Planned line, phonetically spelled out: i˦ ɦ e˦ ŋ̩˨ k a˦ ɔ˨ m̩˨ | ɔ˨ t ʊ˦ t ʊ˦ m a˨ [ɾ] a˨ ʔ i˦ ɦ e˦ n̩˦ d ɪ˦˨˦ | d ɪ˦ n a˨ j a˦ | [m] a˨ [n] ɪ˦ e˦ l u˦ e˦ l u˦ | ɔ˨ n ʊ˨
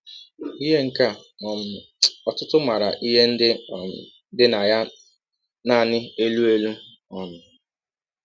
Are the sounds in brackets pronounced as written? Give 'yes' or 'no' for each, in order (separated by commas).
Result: yes, no, yes